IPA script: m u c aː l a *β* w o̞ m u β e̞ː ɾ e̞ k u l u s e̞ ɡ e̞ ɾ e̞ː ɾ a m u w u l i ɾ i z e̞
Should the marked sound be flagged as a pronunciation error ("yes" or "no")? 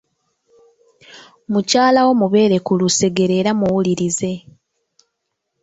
yes